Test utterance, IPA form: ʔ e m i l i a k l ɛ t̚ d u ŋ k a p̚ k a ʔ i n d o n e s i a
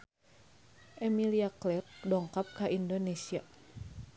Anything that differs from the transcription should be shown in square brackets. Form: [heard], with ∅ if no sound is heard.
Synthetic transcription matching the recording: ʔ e m i l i a k l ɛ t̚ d [ɔ] ŋ k a p̚ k a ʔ i n d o n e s i a